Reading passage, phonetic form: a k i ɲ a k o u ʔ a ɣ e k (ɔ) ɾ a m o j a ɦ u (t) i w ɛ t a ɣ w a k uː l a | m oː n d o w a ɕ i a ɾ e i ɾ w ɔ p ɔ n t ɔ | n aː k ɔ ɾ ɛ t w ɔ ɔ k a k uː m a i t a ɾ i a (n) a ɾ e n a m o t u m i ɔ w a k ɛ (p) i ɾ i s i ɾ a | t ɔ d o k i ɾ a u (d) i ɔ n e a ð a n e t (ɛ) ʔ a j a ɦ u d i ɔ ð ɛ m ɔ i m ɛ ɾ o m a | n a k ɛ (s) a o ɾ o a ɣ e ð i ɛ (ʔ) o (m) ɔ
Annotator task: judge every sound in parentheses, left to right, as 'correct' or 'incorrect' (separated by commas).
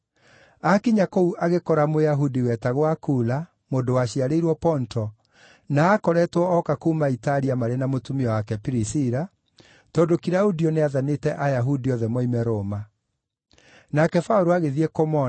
correct, incorrect, incorrect, correct, correct, correct, incorrect, incorrect, correct